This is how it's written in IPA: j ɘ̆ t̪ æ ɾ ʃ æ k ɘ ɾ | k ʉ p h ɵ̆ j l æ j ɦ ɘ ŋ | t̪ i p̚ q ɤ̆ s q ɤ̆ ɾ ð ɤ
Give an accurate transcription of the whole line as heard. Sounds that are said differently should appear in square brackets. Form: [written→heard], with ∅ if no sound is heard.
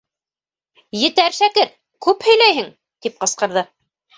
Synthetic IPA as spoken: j ɘ̆ t̪ æ ɾ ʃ æ k ɘ ɾ | k ʉ p h ɵ̆ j l æ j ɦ ɘ ŋ | t̪ i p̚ q ɤ̆ s q ɤ̆ ɾ ð ɤ